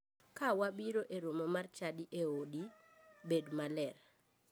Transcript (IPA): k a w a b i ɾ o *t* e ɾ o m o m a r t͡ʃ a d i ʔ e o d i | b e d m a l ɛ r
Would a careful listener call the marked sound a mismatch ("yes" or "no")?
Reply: yes